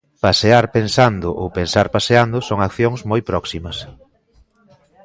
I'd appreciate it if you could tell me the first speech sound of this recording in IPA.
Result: p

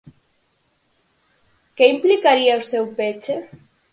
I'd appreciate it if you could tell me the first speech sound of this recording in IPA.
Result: k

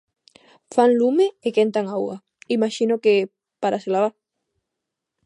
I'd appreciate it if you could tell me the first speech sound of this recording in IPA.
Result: f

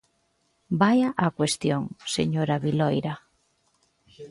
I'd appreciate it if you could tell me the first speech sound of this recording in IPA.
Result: b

